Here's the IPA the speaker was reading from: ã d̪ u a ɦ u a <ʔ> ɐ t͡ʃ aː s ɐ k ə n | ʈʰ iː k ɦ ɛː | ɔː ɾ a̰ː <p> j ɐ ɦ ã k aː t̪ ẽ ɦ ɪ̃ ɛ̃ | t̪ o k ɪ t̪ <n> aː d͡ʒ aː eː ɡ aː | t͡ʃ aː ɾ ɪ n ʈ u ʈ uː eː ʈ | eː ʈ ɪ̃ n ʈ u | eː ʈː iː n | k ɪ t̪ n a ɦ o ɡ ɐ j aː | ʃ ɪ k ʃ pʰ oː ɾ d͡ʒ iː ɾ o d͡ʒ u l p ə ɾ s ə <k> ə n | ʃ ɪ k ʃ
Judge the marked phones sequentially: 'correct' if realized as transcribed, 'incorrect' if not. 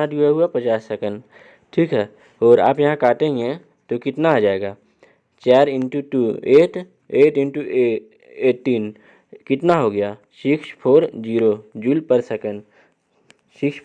incorrect, correct, correct, correct

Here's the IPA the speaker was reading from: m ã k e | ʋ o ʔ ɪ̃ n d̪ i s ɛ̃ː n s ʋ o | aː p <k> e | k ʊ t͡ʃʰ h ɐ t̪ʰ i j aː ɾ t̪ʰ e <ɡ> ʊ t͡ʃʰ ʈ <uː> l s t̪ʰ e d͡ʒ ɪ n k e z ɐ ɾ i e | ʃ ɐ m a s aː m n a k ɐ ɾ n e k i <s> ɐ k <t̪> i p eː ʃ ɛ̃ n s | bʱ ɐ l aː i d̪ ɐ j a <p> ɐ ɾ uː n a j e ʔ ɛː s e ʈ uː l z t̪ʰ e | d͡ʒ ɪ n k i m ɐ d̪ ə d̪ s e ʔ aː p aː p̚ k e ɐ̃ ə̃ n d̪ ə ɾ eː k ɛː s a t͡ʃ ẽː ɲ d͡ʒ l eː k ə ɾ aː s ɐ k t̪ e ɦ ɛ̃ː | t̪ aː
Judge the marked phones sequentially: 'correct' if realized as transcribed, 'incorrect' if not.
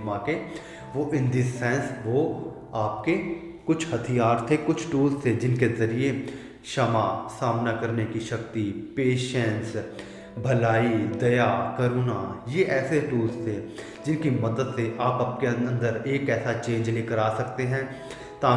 correct, incorrect, correct, incorrect, correct, incorrect

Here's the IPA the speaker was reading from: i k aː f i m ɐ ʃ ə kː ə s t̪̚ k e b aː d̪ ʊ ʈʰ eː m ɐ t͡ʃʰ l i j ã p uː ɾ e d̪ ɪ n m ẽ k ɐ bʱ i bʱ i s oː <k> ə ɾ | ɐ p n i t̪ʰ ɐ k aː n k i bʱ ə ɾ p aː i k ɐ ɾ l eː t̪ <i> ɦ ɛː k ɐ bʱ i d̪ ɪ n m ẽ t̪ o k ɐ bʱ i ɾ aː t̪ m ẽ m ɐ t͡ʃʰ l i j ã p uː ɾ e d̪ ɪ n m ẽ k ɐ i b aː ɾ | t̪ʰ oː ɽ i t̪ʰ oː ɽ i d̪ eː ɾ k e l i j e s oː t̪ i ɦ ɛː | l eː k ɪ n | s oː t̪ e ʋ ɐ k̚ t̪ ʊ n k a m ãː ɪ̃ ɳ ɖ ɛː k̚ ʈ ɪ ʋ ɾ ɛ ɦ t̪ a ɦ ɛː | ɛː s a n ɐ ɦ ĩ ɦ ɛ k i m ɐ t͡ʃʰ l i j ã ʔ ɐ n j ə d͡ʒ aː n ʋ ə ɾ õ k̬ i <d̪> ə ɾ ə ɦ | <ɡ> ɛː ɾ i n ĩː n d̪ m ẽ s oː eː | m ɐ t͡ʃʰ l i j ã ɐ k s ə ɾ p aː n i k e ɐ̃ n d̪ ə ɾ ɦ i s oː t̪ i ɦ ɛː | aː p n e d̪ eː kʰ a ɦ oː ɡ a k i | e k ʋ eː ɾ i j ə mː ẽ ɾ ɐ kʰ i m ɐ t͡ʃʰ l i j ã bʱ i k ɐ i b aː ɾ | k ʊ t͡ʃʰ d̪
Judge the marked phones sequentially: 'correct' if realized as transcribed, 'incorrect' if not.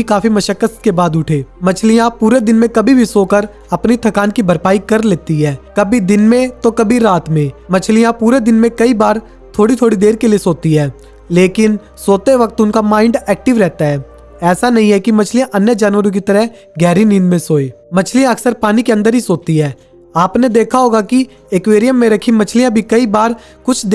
correct, correct, incorrect, correct

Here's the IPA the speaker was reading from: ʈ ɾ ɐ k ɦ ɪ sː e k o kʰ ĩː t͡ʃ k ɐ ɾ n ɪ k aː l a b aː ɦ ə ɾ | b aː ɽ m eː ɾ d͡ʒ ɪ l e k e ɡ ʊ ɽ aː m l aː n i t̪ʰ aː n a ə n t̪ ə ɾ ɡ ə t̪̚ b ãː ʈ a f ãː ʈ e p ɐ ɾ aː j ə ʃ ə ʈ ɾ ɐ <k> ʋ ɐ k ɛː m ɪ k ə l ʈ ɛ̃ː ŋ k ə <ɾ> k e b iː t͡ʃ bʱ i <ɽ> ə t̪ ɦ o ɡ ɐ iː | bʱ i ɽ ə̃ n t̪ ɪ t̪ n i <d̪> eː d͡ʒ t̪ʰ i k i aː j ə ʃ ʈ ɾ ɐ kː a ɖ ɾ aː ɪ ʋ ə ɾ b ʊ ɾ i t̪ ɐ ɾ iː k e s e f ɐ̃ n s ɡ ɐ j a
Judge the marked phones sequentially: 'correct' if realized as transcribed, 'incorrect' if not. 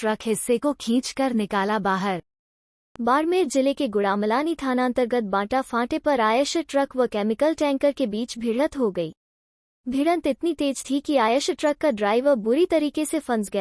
correct, correct, correct, incorrect

